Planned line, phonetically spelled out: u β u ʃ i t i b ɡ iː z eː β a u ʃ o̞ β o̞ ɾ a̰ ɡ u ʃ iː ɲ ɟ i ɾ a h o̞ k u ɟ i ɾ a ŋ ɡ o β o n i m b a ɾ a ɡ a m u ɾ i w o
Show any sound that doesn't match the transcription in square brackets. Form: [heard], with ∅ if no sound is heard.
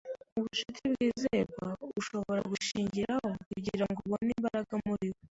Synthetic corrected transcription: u β u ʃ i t i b ɡ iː z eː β a u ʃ o̞ β o̞ ɾ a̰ ɡ u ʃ iː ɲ ɟ i ɾ a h o̞ k u ɟ i ɾ a ŋ ɡ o β o n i m b a ɾ a ɡ a m u ɾ i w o